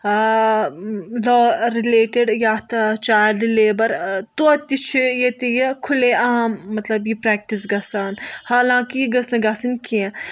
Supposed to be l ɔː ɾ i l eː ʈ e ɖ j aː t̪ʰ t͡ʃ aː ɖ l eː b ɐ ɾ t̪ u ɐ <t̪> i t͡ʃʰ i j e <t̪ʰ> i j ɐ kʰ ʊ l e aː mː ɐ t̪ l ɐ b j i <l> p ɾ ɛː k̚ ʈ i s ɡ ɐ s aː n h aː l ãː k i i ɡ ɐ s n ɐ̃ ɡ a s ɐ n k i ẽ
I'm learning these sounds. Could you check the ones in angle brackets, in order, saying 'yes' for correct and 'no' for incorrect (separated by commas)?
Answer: yes, no, no